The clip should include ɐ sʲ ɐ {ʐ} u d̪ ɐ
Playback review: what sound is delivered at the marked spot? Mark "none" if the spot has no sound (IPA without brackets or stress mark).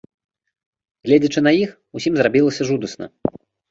ʐ